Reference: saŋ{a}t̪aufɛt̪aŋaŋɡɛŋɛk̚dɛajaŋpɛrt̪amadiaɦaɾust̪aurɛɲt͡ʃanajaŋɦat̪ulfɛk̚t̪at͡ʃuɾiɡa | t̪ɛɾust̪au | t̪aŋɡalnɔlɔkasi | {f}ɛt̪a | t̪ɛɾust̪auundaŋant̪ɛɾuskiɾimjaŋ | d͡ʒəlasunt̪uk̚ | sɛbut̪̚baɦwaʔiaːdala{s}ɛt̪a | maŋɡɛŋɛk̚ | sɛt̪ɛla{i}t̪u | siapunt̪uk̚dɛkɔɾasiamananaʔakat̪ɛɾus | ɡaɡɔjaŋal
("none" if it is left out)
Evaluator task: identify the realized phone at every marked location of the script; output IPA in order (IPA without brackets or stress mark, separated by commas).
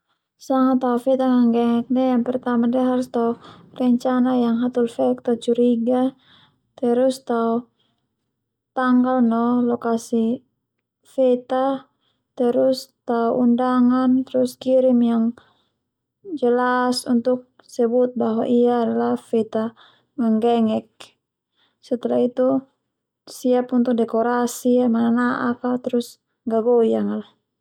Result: a, f, f, i